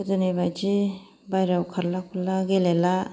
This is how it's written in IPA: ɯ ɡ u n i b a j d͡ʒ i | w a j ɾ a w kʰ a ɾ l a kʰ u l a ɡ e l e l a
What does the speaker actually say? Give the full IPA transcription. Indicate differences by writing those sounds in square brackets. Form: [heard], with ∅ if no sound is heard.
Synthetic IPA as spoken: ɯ [d] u n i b a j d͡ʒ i | [b] a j ɾ a w kʰ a ɾ l a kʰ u l a ɡ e l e l a